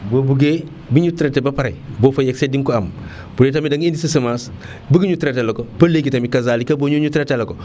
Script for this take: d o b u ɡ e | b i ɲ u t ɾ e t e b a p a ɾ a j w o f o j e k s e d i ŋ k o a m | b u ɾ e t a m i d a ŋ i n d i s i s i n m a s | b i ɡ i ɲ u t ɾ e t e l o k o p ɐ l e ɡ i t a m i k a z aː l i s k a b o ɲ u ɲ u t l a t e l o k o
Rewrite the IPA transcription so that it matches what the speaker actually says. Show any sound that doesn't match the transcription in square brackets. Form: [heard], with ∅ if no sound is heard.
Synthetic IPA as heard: [b] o b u ɡ e | b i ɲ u t ɾ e t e b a p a ɾ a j [b] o f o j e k s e d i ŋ k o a m | b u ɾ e t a m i d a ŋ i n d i s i s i [∅] m a s | b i ɡ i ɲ u t ɾ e t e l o k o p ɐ l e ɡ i t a m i k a z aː l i [∅] k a b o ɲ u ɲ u t [ɾ] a t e l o k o